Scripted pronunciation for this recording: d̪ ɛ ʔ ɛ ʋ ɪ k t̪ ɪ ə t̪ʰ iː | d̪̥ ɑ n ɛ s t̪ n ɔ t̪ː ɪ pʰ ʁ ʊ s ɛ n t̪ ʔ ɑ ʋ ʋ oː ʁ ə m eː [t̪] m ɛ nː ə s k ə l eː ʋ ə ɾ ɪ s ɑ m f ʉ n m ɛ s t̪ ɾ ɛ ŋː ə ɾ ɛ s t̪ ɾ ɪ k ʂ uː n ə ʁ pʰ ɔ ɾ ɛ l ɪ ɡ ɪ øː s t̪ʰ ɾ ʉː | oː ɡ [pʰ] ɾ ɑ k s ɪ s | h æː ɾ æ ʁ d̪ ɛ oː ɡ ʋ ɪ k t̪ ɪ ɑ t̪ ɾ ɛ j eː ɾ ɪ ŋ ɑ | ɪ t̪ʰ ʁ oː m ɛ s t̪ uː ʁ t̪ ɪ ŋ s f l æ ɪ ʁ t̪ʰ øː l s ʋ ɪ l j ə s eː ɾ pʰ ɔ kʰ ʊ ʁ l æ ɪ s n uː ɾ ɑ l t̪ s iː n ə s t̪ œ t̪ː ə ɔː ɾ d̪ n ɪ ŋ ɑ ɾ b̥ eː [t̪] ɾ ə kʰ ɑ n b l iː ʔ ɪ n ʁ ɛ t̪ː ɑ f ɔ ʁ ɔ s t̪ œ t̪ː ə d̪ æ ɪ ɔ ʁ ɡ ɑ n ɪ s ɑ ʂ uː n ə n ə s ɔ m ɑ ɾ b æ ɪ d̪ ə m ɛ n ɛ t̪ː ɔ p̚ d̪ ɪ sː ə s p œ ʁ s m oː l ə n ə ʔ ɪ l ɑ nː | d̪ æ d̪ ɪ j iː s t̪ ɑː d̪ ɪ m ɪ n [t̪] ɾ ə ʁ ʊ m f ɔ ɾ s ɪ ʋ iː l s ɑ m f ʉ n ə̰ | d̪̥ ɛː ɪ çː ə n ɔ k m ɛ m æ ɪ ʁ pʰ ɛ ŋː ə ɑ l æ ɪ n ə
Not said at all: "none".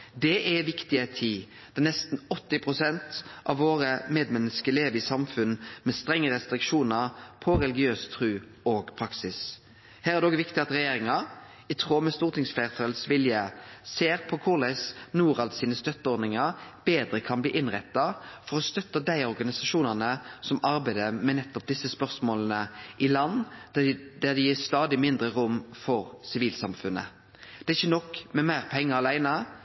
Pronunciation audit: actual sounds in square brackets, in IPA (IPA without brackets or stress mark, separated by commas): d̪, pʰ, d̪, d̪